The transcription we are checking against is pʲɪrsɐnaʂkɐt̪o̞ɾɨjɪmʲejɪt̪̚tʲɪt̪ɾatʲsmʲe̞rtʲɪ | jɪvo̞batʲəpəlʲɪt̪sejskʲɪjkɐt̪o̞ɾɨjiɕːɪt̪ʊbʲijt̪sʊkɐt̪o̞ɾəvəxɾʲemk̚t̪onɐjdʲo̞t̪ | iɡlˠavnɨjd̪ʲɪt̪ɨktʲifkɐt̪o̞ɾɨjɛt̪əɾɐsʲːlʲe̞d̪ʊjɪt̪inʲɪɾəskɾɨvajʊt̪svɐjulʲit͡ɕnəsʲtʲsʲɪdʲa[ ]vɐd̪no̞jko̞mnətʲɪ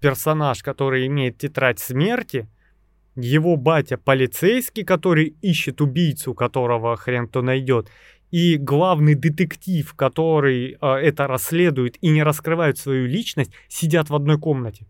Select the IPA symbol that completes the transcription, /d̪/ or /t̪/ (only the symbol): t̪